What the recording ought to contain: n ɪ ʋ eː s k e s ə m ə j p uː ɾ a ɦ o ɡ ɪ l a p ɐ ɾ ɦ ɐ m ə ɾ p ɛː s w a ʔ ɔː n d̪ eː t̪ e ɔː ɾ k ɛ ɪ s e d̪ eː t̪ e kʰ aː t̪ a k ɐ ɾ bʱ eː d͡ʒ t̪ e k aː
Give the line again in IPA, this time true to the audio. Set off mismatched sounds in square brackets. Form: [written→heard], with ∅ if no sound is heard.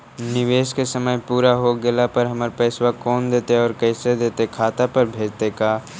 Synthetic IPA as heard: n ɪ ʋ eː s k e s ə m ə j p uː ɾ a ɦ o ɡ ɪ l a p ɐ ɾ ɦ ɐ m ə ɾ p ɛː s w a [ʔ→k] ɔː n d̪ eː t̪ e ɔː ɾ k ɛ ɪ s e d̪ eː t̪ e kʰ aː t̪ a [k→p] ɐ ɾ bʱ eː d͡ʒ t̪ e k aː